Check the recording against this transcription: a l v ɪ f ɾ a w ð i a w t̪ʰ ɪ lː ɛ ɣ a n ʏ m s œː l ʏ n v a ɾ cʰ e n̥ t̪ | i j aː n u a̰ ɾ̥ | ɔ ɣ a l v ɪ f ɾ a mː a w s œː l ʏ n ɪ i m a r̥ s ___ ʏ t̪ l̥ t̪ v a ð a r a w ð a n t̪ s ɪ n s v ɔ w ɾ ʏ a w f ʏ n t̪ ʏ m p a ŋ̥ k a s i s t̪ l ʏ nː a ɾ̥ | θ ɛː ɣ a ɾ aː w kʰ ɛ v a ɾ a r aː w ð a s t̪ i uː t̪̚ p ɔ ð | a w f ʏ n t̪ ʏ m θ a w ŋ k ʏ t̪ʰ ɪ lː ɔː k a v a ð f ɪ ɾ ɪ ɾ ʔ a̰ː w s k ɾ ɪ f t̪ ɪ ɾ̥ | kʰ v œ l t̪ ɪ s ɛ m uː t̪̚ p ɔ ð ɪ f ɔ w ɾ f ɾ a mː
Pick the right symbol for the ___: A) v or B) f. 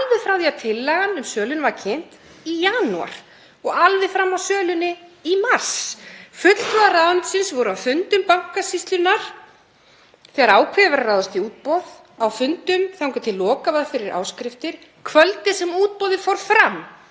B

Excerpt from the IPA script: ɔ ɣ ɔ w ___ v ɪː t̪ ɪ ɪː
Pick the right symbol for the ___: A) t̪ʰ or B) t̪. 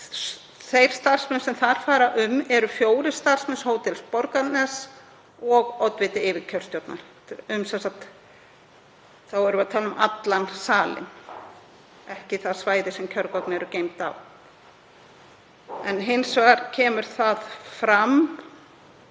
B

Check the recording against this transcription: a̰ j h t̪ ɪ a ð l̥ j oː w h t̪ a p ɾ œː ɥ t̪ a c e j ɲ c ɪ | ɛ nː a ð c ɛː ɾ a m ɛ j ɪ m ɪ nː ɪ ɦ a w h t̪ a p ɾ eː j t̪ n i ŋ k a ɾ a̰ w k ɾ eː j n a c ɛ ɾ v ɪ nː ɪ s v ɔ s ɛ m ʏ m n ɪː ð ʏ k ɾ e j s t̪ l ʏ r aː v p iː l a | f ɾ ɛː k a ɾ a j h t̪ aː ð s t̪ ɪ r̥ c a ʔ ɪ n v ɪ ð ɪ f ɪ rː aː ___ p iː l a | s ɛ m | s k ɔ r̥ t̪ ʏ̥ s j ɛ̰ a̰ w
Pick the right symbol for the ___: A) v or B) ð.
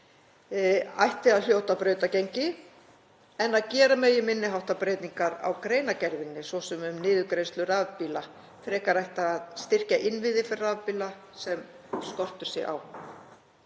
A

